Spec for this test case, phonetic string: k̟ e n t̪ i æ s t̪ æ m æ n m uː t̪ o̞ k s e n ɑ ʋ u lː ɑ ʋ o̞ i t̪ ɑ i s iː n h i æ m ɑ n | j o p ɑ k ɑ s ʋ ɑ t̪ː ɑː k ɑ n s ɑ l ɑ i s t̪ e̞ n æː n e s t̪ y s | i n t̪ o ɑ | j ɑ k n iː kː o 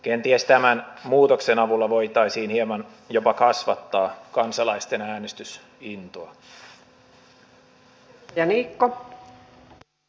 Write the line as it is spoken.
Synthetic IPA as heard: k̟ e n t̪ i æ s t̪ æ m æ n m uː t̪ o̞ k s e n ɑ ʋ u lː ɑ ʋ o̞ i t̪ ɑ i s iː n h i e m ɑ n | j o p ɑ k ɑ s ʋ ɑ t̪ː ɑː k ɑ n s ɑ l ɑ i s t̪ e̞ n æː n e s t̪ y s | i n t̪ o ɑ | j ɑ n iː kː o